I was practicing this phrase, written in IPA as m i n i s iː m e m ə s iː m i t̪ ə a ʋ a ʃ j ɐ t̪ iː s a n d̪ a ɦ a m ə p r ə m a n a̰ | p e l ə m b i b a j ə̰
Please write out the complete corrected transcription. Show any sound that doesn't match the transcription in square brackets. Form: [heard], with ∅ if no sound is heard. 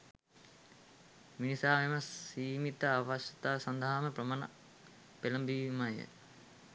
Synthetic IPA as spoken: m i n i s [aː] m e m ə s iː m i t̪ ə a ʋ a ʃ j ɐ t̪ [aː] s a n d̪ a ɦ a m ə p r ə m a n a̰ | p e l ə m b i [m] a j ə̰